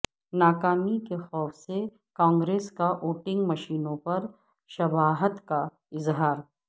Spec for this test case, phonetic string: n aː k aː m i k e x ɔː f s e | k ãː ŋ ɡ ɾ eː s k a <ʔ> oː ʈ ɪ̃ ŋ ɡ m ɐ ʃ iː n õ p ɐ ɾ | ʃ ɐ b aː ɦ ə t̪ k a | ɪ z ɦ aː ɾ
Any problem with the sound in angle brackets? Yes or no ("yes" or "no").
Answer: no